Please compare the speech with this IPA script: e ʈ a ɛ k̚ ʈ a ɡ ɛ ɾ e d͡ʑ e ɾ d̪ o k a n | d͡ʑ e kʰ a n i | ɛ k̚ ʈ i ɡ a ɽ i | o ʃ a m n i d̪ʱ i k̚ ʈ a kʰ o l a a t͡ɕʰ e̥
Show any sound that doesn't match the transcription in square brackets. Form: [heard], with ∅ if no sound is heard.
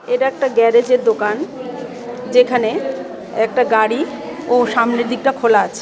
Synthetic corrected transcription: e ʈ a ɛ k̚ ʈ a ɡ ɛ ɾ e d͡ʑ e ɾ d̪ o k a n | d͡ʑ e kʰ a n [e] | ɛ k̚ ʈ [a] ɡ a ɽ i | o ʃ a m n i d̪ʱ i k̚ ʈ a kʰ o l a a t͡ɕʰ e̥